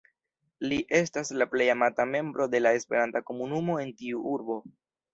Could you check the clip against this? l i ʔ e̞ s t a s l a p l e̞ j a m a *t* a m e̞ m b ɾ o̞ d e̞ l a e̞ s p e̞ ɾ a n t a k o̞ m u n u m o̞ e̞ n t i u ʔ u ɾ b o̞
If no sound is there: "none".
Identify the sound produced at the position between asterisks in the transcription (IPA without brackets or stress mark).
t